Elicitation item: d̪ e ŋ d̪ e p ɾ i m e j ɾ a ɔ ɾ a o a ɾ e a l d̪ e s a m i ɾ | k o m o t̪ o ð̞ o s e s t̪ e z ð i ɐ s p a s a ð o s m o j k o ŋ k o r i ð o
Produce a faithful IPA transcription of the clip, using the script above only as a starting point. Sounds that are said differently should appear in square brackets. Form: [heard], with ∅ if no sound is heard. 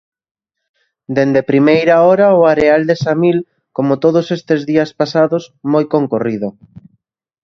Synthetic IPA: d̪ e [n] d̪ e p ɾ i m e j ɾ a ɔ ɾ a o a ɾ e a l d̪ e s a m i [l] | k o m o t̪ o ð̞ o s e s t̪ e z ð i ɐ s p a s a ð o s m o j k o ŋ k o r i ð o